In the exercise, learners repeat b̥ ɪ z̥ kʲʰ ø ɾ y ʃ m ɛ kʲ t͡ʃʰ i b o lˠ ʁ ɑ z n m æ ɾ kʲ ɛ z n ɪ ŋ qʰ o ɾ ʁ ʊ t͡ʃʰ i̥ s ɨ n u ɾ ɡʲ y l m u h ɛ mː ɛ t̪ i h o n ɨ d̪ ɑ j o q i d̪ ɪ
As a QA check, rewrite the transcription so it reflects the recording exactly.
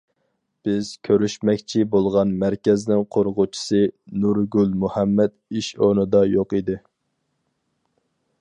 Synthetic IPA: b̥ ɪ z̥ kʲʰ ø ɾ y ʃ m ɛ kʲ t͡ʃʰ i b o lˠ ʁ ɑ n m æ ɾ kʲ ɛ z n ɪ ŋ qʰ o ɾ ʁ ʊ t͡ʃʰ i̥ s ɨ n u ɾ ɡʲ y l m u h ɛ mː ɛ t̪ i ʃ o n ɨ d̪ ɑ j o q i d̪ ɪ